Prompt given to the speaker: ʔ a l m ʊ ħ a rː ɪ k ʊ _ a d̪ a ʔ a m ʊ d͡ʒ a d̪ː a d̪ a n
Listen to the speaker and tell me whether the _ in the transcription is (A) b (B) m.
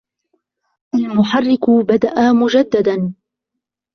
A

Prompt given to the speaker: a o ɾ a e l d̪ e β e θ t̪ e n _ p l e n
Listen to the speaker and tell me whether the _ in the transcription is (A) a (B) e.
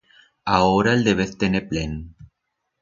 B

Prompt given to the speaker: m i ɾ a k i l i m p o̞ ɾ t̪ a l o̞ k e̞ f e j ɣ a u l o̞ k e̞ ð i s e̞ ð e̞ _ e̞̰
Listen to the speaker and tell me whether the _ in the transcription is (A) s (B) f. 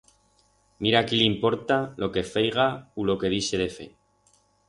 B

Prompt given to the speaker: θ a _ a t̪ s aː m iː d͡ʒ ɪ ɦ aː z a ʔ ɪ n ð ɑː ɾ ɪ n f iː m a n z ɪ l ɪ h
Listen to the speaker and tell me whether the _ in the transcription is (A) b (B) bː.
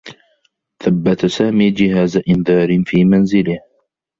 B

